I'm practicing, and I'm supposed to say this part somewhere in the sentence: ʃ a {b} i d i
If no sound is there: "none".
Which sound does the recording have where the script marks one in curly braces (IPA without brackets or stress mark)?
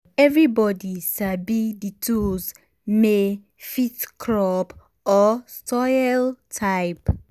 b